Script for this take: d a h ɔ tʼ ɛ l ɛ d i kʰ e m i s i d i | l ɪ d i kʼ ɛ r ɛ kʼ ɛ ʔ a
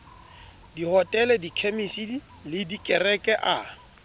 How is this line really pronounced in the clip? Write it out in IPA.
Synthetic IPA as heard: d i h ɔ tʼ ɛ l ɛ d i kʰ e m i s i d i | l ɪ d i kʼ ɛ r ɛ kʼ ɛ ʔ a